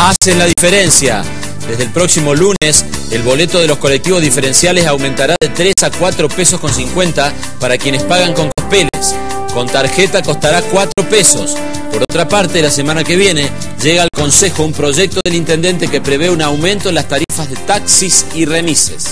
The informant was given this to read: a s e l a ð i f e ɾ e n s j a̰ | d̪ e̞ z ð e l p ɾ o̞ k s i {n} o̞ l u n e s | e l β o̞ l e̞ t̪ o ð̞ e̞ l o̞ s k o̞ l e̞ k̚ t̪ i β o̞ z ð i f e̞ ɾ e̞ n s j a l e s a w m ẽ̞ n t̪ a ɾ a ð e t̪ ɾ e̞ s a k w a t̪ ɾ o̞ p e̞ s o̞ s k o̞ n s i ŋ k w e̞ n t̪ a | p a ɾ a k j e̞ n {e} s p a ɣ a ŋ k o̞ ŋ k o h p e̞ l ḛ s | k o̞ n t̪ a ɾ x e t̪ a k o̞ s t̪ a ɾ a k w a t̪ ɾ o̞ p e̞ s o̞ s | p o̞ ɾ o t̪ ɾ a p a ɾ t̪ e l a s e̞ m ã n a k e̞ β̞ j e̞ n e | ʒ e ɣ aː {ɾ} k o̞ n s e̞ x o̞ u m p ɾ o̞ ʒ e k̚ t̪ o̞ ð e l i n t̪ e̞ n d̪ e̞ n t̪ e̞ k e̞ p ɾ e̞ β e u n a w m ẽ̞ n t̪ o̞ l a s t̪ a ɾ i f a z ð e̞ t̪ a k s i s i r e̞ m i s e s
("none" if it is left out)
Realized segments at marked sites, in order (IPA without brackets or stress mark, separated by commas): m, e, l